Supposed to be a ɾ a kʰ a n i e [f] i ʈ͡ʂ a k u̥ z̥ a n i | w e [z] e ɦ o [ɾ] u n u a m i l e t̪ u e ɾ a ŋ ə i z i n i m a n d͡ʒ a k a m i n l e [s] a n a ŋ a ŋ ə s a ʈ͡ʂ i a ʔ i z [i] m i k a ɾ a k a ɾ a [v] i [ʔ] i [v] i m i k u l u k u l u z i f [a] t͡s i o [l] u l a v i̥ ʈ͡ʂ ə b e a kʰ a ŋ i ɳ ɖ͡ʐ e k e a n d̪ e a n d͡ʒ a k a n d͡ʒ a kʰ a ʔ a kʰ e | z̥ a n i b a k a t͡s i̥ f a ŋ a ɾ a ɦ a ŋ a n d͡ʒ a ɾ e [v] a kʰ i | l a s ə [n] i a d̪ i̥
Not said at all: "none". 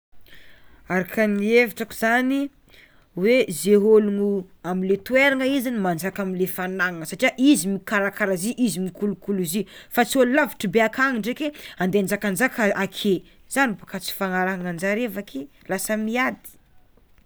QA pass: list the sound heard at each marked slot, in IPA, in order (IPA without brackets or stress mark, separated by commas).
v, z, l, f, i, z, ʔ, z, a, l, v, m